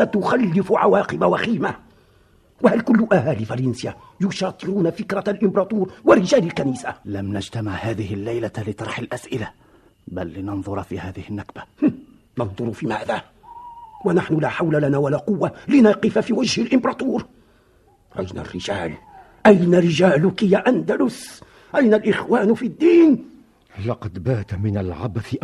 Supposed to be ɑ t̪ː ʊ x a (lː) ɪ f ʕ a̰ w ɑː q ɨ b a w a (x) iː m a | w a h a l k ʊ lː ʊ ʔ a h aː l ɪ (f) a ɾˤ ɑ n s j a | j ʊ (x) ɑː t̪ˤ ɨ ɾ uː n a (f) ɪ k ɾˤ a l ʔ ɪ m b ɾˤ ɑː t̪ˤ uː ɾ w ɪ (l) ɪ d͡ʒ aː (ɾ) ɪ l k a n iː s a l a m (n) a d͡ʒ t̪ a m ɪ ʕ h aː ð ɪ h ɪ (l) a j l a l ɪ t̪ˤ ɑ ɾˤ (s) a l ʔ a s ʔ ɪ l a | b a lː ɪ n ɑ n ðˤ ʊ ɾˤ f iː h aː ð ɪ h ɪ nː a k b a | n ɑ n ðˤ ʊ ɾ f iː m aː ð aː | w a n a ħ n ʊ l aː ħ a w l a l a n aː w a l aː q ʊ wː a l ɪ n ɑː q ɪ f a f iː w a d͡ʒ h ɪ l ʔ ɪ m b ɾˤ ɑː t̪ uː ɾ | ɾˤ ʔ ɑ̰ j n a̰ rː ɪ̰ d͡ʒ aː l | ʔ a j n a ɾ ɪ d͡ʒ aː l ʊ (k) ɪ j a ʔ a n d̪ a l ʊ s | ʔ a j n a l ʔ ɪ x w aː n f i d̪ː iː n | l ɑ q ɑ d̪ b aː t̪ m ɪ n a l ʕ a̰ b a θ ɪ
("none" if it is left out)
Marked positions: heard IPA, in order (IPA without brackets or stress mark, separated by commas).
lː, x, f, ʃ, f, ɾ, l, n, lː, ħ, k